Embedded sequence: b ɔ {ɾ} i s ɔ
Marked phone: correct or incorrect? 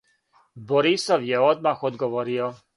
correct